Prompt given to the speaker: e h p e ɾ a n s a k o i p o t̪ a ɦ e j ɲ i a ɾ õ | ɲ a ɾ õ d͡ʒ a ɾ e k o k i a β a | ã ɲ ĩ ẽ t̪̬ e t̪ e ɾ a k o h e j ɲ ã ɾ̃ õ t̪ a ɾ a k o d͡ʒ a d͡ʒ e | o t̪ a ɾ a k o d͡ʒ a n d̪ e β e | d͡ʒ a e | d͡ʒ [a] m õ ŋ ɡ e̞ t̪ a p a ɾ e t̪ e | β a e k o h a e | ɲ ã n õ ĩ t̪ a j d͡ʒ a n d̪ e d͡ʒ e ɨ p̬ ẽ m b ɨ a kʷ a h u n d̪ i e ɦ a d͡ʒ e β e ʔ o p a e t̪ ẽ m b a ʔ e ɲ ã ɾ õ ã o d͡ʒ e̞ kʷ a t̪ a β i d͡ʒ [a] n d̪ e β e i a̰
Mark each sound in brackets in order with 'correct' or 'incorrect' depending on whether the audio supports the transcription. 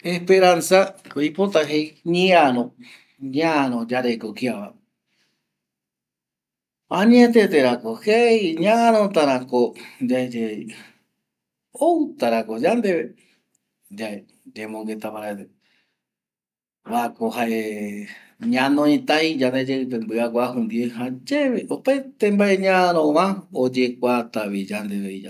incorrect, correct

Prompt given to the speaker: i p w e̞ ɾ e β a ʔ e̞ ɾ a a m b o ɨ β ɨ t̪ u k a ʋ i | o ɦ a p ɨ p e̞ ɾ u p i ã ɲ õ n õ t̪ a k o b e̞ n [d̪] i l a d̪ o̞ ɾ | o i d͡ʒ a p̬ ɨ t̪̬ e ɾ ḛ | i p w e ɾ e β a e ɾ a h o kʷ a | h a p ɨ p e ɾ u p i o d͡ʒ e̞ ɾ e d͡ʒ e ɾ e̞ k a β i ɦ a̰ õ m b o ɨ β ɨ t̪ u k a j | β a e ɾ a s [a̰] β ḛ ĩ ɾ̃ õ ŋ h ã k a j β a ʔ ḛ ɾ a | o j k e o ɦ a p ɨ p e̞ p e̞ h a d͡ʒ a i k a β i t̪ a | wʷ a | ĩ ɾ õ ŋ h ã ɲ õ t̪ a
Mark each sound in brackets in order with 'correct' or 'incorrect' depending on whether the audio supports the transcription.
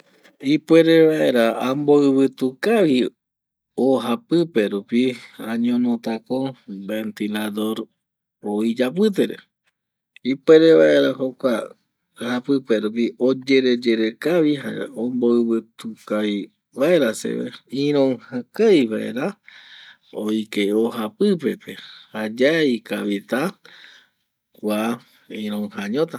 incorrect, incorrect

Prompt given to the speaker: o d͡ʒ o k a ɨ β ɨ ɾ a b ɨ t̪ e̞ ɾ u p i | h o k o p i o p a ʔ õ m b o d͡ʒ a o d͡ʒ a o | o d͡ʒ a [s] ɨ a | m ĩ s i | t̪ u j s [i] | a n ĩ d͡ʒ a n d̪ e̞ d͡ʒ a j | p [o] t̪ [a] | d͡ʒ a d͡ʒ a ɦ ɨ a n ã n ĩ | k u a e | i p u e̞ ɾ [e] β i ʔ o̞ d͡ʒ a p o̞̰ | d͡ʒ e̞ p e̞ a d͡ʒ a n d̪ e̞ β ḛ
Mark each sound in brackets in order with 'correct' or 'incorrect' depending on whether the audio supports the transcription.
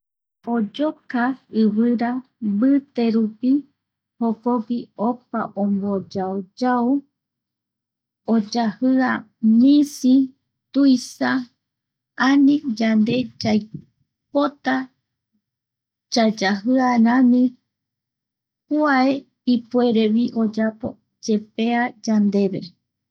incorrect, incorrect, correct, correct, correct

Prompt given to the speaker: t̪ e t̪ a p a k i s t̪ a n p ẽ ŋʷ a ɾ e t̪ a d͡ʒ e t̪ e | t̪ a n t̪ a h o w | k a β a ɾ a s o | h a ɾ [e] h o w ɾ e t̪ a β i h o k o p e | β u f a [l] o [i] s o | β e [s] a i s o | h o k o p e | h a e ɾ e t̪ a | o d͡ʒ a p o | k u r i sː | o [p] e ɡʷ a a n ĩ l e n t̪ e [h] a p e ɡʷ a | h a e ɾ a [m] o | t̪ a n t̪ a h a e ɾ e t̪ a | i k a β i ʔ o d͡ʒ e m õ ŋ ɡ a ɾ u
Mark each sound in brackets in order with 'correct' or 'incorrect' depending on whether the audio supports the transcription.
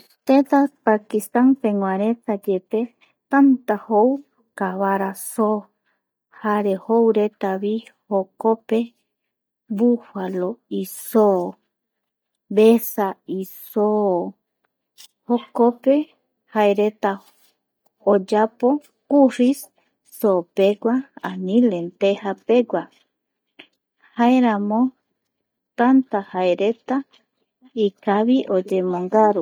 correct, correct, correct, correct, correct, correct, correct

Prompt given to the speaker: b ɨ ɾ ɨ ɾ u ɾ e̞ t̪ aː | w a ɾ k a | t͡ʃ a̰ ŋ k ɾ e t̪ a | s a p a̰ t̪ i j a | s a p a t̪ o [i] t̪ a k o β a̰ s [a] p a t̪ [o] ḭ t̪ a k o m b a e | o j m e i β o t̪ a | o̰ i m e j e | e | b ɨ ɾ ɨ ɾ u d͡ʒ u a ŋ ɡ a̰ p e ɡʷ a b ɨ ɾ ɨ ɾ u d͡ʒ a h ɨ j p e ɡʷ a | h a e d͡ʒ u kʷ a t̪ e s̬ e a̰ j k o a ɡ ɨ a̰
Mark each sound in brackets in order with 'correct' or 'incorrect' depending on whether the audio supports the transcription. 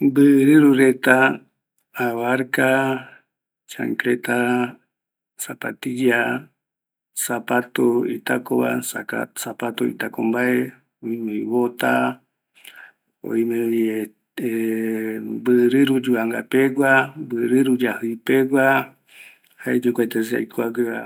correct, correct, correct

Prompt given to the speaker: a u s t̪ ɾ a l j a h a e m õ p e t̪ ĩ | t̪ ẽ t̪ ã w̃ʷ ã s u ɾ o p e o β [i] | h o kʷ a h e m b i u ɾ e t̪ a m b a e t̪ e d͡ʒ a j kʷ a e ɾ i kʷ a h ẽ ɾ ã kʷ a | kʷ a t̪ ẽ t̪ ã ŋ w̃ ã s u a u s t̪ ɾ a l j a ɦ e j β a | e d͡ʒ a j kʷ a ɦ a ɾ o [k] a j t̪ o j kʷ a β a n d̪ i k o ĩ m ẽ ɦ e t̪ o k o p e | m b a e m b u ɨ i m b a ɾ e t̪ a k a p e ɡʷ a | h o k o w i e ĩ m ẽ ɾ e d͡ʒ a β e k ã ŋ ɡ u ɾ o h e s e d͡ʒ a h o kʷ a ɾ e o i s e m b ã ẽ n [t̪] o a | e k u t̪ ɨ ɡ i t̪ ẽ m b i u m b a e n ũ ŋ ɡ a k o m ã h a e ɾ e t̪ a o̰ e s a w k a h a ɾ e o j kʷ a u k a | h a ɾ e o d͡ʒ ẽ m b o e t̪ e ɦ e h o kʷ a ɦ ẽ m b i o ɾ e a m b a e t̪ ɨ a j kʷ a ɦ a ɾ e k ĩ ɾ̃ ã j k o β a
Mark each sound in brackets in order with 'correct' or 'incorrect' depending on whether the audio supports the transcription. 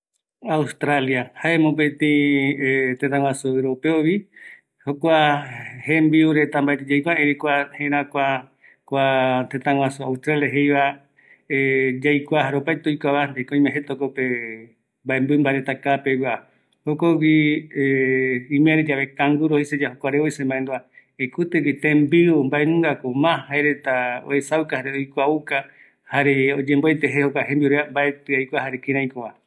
correct, incorrect, incorrect

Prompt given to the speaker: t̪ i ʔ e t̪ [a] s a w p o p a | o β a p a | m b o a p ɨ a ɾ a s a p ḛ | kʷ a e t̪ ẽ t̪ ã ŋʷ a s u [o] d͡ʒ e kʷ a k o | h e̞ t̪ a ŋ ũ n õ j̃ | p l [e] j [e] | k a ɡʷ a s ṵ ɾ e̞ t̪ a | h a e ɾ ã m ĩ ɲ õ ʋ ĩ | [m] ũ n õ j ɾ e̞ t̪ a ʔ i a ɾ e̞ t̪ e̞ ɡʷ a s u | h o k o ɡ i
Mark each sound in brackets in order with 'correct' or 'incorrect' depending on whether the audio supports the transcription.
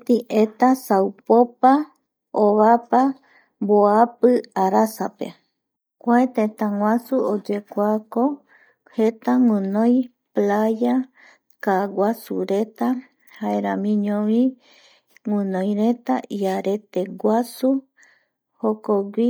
correct, correct, incorrect, incorrect, incorrect

